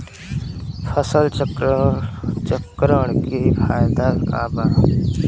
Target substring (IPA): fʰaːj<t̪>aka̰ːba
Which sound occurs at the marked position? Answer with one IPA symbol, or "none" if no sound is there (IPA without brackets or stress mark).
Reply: d̪